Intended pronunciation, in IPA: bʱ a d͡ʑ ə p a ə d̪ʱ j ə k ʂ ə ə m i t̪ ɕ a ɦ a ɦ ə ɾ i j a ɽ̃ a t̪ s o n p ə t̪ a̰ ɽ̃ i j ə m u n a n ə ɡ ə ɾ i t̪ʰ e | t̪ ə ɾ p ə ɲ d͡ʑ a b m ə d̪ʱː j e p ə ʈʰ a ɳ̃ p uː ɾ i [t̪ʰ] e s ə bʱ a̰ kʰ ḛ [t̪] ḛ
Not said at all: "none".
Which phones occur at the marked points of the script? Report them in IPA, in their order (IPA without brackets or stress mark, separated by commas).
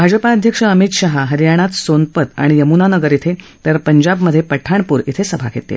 t̪ʰ, t̪